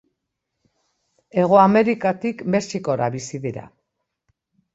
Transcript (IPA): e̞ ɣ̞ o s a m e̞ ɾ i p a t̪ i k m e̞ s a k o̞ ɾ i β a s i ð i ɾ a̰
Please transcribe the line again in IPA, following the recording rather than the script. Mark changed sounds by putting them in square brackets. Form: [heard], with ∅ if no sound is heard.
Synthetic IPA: e̞ ɣ̞ o [∅] a m e̞ ɾ i [k] a t̪ i k m e̞ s [i] k o̞ ɾ [a] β [i] s i ð i ɾ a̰